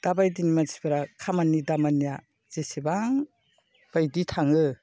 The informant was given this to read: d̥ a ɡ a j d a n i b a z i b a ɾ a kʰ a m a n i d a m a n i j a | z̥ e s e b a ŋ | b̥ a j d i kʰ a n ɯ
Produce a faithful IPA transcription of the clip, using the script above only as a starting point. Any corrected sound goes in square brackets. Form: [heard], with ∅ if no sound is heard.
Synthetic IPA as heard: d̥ a [b] a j d [i] n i [m] a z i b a ɾ a kʰ a m a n i d a m a n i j a | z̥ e s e b a ŋ | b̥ a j d i [tʰ] a [ŋ] ɯ